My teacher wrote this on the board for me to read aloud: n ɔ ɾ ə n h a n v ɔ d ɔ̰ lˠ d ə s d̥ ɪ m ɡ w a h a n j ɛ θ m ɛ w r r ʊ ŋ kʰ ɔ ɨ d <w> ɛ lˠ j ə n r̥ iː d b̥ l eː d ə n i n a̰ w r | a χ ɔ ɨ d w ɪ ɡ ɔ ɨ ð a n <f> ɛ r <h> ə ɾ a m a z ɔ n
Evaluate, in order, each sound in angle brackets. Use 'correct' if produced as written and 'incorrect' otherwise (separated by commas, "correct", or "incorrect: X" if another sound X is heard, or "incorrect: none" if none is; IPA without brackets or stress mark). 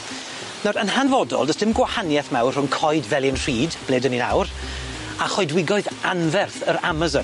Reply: incorrect: v, incorrect: v, incorrect: θ